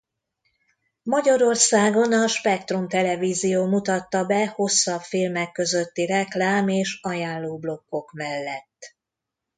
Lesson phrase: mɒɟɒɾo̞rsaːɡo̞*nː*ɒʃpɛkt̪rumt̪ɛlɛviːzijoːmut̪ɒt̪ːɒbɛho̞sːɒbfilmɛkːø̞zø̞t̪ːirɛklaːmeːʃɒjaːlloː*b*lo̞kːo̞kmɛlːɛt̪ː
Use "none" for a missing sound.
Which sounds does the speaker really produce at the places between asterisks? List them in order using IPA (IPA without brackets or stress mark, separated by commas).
n, b